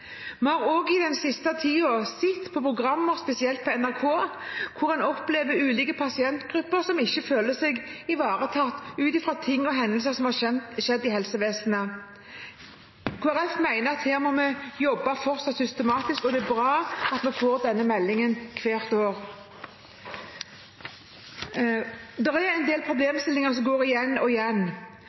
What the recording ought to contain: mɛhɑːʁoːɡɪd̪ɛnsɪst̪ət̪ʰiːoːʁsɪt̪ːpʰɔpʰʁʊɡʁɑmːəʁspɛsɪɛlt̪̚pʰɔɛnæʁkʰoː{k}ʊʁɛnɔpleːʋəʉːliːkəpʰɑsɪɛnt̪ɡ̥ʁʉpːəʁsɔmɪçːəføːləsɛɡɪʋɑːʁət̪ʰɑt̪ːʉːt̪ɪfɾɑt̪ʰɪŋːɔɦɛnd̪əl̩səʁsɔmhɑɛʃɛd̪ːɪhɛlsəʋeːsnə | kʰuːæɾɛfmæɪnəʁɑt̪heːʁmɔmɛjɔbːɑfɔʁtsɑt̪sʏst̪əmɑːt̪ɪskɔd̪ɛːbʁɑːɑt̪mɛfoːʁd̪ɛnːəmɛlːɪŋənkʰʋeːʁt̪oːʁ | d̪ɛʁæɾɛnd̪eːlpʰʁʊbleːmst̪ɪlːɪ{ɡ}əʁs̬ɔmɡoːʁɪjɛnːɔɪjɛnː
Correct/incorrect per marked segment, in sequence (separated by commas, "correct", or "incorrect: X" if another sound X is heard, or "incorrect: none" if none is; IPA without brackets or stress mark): incorrect: kʰ, incorrect: ŋ